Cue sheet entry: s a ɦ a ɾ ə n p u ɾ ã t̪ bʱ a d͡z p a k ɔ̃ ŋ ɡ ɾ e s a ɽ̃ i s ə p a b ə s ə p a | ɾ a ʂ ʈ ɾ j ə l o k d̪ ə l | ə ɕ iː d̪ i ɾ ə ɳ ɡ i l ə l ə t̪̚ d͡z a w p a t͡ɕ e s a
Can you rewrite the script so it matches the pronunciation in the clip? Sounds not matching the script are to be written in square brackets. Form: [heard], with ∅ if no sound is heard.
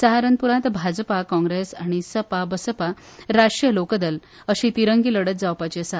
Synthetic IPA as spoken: s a ɦ a ɾ ə n p u ɾ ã t̪ bʱ a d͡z p a k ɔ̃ ŋ ɡ ɾ e s a ɽ̃ i s ə p a b ə s ə p a | ɾ a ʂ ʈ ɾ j ə l o k d̪ ə l | ə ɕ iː [t̪] i ɾ ə [ŋ] ɡ i l ə [ɽ] ə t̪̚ d͡z a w p a t͡ɕ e s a